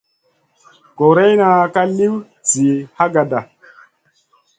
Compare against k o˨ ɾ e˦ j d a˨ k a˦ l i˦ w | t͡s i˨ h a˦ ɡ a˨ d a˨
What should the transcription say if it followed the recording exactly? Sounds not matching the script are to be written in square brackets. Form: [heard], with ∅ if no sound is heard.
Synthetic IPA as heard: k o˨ ɾ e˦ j [n] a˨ k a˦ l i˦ w | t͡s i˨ h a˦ ɡ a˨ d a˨